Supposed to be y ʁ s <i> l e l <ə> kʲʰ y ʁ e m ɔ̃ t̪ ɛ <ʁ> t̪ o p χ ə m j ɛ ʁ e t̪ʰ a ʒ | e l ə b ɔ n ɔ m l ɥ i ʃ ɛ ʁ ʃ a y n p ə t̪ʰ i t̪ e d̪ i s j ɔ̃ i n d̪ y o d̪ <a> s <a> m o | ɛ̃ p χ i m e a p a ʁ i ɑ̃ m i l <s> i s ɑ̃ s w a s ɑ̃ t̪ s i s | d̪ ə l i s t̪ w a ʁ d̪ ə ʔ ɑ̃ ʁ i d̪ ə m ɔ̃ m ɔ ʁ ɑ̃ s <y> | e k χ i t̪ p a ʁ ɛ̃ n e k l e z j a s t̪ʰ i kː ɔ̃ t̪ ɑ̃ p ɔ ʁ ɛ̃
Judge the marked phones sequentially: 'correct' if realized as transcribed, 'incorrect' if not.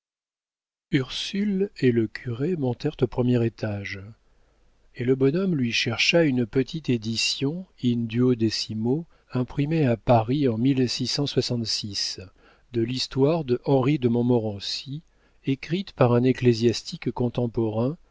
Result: incorrect, correct, correct, incorrect, incorrect, correct, incorrect

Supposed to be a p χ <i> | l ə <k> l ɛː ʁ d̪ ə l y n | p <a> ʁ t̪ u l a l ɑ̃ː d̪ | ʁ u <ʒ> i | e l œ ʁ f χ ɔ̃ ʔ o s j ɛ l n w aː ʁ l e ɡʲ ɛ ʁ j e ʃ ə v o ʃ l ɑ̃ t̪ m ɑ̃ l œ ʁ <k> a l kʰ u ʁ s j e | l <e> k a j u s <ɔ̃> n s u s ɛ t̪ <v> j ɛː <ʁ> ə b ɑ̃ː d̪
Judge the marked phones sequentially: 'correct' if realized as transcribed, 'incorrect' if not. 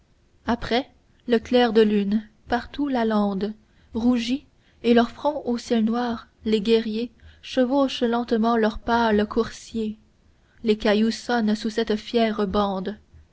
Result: incorrect, correct, correct, correct, incorrect, correct, incorrect, incorrect, correct

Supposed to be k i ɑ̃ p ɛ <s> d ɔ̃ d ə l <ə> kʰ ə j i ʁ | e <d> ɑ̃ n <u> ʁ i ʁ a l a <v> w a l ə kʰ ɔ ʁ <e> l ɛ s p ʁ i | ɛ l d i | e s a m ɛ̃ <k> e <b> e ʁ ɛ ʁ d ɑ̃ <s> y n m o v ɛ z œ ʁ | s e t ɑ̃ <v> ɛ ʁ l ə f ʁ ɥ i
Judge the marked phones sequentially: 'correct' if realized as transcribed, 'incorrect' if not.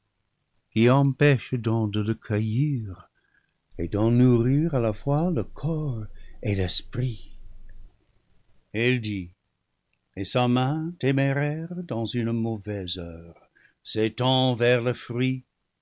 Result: incorrect, correct, correct, correct, incorrect, correct, incorrect, incorrect, incorrect, correct

